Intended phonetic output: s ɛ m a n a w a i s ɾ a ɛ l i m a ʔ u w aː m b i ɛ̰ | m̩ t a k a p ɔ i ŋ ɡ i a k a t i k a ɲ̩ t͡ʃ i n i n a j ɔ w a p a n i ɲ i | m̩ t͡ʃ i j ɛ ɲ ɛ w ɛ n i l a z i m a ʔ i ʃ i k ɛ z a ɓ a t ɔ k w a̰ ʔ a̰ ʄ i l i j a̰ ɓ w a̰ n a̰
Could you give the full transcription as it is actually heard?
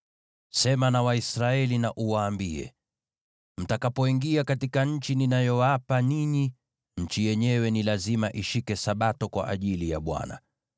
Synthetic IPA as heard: s ɛ m a n a w a i s ɾ a ɛ l i n a ʔ u w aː m b i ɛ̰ | m̩ t a k a p ɔ i ŋ ɡ i a k a t i k a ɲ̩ t͡ʃ i n i n a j ɔ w a p a n i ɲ i | ɲ̩ t͡ʃ i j ɛ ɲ ɛ w ɛ n i l a z i m a ʔ i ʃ i k ɛ s a ɓ a t ɔ k w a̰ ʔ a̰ ʄ i l i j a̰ ɓ w a̰ n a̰